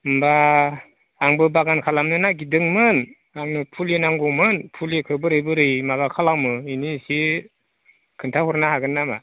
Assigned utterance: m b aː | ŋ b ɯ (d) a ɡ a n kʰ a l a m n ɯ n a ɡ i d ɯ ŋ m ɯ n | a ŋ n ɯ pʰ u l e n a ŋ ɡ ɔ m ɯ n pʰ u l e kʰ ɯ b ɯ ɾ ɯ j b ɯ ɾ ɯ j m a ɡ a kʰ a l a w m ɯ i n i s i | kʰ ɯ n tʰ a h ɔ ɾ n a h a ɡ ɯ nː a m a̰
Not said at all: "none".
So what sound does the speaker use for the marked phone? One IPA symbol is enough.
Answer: b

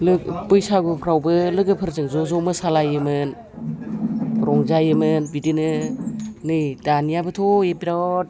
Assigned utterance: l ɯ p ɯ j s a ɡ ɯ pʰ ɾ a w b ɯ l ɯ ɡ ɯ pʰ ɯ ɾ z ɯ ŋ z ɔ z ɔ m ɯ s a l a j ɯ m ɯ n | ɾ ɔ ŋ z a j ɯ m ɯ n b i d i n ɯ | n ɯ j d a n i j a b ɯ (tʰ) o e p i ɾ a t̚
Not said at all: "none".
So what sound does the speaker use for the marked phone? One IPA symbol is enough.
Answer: tʰ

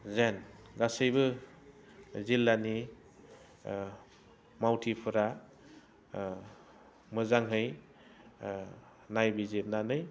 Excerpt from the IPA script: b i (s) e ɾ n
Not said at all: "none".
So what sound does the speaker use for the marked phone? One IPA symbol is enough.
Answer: z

